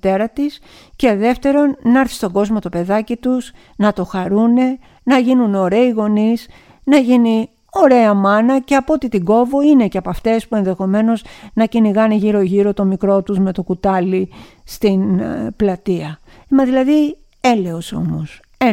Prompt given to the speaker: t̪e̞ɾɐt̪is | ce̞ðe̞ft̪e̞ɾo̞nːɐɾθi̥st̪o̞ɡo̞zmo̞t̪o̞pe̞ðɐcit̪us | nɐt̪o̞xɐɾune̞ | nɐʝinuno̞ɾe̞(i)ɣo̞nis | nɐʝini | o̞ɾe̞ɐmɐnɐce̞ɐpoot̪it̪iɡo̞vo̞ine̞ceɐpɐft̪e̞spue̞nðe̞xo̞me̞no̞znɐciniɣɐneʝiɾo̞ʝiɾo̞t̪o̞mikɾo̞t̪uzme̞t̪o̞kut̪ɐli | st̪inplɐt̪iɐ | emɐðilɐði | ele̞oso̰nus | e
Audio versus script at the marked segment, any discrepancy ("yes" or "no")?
no